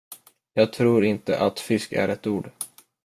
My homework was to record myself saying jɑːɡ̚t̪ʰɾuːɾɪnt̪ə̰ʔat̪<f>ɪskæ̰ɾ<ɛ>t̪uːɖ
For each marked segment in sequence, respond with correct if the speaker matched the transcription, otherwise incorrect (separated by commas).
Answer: correct, correct